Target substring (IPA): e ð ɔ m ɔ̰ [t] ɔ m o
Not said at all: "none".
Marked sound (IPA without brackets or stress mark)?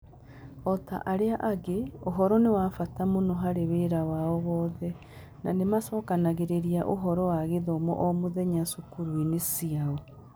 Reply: ʔ